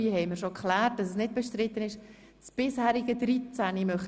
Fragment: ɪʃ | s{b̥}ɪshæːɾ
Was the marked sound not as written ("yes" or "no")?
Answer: no